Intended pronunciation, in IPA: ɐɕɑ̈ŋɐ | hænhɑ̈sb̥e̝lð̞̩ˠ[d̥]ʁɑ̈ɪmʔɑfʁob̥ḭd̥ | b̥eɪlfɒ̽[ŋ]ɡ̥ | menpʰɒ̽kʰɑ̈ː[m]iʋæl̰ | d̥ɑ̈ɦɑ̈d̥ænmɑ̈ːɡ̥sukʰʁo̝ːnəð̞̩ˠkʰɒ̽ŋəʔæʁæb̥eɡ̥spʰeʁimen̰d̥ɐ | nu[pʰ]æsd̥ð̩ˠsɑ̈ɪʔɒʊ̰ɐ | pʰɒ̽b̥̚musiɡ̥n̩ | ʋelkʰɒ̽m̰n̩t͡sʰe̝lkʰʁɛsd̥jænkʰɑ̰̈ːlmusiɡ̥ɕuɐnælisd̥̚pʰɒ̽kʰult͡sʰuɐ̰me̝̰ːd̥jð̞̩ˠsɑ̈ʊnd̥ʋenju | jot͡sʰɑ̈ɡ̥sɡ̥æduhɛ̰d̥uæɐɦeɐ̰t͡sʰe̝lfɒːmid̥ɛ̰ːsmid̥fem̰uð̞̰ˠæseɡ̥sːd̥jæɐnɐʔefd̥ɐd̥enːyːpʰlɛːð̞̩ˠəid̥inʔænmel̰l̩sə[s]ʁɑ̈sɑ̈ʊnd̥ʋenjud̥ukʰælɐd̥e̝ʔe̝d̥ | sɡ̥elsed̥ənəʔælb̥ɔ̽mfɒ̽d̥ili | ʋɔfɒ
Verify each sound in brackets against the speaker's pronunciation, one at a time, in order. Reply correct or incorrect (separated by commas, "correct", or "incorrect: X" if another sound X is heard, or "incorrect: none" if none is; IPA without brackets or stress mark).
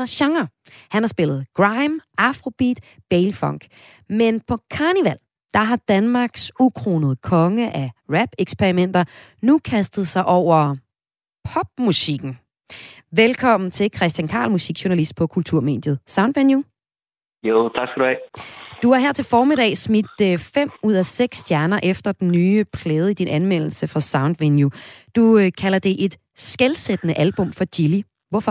incorrect: ɡ̥, correct, incorrect: n, incorrect: kʰ, incorrect: f